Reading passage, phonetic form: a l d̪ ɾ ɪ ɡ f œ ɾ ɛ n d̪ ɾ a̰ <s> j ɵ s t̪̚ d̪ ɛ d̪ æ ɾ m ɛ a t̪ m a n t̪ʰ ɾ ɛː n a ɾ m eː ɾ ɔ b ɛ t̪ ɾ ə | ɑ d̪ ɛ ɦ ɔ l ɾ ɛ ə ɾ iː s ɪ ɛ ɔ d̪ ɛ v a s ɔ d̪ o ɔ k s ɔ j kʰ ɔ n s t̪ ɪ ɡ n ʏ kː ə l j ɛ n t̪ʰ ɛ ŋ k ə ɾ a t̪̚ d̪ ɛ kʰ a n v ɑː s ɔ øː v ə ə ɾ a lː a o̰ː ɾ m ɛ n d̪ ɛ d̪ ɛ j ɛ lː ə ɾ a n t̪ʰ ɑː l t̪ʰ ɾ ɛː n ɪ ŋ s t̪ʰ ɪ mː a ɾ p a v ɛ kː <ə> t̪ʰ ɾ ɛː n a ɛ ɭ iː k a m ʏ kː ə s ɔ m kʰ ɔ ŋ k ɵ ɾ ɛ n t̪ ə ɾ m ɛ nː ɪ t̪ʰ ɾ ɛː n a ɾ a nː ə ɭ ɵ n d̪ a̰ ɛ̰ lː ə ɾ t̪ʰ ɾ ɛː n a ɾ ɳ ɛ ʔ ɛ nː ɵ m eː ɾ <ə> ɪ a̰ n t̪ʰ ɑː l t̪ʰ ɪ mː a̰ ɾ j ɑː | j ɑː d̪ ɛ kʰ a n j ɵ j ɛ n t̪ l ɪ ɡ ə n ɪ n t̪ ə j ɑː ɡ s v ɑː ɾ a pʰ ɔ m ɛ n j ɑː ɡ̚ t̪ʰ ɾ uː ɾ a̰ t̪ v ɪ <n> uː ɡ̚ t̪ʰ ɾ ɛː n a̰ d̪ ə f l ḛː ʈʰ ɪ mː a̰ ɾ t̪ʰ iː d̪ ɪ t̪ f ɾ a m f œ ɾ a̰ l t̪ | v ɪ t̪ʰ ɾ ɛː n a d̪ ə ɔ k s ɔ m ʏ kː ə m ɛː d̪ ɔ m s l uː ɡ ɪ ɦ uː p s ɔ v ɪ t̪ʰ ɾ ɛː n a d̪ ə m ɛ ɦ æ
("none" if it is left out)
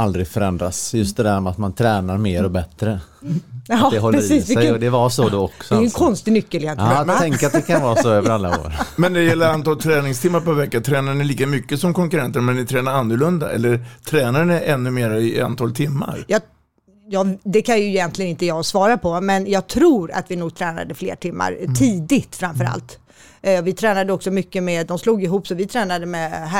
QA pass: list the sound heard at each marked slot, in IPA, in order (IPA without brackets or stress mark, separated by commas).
s, a, a, n